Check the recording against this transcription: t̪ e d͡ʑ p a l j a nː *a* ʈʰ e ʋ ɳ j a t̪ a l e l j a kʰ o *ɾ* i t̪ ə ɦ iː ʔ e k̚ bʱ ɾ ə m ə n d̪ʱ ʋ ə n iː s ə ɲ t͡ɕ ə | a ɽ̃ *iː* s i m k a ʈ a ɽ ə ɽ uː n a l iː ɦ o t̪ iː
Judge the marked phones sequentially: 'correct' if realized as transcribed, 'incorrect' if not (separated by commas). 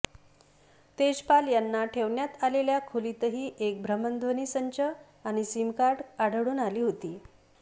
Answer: correct, incorrect, incorrect